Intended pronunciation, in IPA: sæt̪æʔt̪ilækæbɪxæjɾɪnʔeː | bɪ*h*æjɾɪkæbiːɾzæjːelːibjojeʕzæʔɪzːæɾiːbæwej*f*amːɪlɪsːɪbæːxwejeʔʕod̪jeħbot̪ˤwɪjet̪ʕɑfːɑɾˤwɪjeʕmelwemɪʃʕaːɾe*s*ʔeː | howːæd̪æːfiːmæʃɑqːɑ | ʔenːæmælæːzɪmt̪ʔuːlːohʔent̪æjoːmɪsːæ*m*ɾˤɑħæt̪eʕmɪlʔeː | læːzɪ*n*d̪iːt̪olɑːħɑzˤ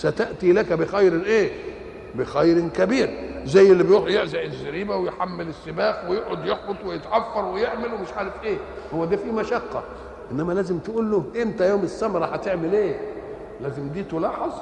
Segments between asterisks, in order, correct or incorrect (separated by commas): incorrect, incorrect, incorrect, correct, incorrect